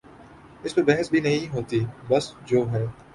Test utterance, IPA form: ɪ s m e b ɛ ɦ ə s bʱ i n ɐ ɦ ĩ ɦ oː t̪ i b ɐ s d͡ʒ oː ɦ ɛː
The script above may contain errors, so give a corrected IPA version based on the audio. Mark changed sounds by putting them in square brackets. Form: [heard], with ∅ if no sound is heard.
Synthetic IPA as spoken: ɪ s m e b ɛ ɦ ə s bʱ i n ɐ ɦ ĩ ɦ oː t̪ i b ɐ s d͡ʒ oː ɦ ɛː